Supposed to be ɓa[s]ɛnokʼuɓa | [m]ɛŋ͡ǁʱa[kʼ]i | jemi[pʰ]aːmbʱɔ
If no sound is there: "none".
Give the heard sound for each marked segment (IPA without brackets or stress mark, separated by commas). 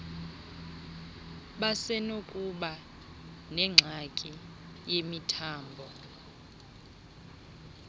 s, n, kʼ, tʰ